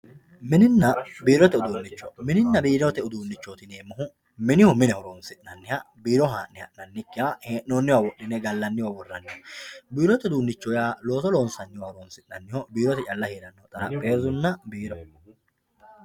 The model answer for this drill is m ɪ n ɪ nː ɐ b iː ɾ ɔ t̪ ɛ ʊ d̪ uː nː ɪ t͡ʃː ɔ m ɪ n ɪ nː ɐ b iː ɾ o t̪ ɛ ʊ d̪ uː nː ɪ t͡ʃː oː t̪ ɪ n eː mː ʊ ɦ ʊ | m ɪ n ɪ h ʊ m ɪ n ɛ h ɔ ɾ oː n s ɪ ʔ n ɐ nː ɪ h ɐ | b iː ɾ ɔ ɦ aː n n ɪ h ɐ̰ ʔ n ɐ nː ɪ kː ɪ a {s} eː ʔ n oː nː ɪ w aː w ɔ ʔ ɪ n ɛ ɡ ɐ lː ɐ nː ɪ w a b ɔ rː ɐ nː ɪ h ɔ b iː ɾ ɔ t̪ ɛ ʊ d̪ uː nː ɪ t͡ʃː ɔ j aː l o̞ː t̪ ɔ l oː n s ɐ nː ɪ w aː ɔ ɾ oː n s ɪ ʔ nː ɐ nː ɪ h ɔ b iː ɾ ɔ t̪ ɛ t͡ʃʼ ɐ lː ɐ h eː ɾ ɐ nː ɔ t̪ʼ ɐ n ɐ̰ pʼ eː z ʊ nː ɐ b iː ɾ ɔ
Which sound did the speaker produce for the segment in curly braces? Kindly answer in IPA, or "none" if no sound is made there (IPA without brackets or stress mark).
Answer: h